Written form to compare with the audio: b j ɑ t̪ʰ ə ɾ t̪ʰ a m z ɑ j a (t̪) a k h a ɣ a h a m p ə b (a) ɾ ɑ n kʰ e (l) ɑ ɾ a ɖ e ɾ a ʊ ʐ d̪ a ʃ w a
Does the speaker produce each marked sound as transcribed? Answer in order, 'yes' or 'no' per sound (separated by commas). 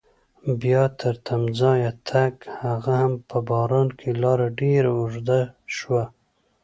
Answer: no, no, yes